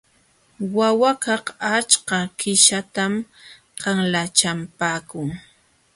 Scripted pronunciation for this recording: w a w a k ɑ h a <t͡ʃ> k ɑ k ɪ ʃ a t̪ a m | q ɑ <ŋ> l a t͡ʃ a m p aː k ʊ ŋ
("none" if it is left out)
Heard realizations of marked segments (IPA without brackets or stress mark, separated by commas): t͡ʃ, ŋ